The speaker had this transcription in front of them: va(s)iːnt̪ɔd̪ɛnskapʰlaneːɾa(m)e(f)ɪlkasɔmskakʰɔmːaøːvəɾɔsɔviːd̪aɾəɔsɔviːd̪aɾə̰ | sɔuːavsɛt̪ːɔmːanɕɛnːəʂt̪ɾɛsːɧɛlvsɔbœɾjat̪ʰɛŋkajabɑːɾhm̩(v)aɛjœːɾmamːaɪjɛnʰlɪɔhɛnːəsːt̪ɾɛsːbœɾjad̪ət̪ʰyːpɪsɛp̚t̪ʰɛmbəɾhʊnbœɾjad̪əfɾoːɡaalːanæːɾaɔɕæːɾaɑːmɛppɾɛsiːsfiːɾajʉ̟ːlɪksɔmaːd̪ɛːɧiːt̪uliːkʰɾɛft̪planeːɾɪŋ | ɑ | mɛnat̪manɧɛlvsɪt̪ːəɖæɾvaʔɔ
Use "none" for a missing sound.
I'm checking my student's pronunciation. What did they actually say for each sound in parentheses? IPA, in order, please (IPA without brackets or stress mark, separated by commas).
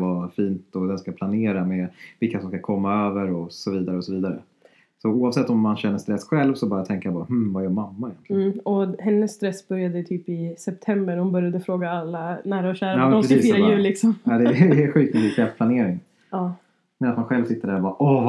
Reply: f, m, v, v